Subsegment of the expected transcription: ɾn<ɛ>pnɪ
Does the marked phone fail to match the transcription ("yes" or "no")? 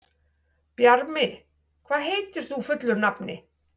yes